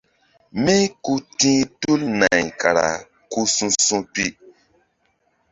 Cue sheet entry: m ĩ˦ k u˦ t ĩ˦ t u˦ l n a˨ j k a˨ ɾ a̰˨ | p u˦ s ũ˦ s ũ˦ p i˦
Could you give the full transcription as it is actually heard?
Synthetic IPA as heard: m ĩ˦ k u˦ t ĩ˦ t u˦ l n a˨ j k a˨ ɾ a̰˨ | k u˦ s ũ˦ s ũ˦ p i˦

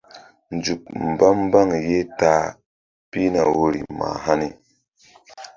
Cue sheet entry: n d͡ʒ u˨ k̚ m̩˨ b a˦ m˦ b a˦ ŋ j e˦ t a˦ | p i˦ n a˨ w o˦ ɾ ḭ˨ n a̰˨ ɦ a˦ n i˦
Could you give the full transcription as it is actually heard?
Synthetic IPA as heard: n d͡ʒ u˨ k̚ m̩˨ b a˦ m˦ b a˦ ŋ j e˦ t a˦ | p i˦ n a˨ w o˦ ɾ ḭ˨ m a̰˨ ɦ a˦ n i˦

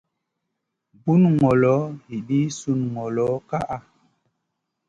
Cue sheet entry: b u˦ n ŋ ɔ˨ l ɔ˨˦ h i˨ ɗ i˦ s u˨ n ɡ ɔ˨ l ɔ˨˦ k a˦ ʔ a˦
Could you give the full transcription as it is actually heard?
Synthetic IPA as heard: b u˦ n ŋ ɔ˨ l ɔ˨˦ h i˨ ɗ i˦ s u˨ n ŋ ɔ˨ l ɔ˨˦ k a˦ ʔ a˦

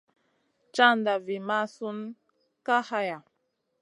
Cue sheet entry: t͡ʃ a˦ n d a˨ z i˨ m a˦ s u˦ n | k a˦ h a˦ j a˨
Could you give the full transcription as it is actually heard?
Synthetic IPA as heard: t͡ʃ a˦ n d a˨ v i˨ m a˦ s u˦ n | k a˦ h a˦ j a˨

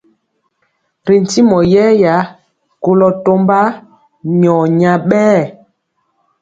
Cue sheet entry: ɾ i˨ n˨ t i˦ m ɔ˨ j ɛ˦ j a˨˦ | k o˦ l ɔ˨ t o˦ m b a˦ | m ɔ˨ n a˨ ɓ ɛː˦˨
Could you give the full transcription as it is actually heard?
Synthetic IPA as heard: ɾ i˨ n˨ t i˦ m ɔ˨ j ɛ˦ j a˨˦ | k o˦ l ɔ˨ t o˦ m b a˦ | ɲ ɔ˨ ɲ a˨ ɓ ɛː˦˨

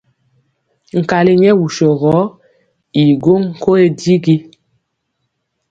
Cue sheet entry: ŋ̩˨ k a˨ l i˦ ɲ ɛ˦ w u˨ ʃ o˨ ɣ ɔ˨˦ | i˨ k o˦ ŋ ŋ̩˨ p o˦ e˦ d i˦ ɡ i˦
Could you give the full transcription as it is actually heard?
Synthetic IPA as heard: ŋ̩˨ k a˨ l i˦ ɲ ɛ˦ w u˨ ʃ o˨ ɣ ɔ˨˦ | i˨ ɡ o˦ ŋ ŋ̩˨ k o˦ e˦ d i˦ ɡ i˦

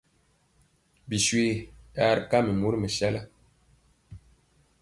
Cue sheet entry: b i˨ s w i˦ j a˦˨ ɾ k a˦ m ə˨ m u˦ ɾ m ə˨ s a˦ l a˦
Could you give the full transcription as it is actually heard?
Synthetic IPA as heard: b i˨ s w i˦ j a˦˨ ɾ k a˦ m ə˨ m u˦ ɾ m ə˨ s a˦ l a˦

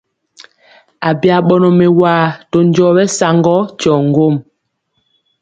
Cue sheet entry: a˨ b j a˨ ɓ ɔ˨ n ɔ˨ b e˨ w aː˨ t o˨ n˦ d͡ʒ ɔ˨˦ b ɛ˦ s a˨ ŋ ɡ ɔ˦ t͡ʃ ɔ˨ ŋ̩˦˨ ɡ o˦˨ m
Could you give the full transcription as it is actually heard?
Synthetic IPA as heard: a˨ b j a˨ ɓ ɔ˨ n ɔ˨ m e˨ w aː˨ t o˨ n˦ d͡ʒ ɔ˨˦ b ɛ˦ s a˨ ŋ ɡ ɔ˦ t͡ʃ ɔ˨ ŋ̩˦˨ ɡ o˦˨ m

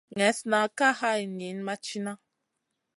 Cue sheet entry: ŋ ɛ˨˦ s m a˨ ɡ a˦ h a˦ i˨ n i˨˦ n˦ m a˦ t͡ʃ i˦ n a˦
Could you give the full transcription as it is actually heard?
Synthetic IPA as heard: ŋ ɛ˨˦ s n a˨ k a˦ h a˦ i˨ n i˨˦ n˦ m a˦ t͡ʃ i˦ n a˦

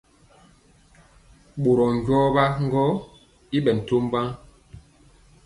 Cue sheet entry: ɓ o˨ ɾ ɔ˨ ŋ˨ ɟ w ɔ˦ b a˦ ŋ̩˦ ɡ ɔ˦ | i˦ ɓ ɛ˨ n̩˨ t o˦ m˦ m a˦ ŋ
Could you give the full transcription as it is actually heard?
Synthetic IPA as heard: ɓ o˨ ɾ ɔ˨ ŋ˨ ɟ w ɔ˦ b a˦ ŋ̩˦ ɡ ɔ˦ | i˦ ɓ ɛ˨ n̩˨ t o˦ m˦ b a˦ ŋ

